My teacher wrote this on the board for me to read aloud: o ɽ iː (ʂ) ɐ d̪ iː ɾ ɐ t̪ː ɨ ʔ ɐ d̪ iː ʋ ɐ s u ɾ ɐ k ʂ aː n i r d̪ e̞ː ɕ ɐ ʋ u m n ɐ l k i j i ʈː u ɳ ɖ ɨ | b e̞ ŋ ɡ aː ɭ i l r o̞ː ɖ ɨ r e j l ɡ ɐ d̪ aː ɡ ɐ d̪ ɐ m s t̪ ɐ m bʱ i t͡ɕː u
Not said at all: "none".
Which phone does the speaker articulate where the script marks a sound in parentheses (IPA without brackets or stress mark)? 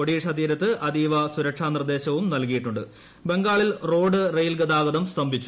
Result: ʂ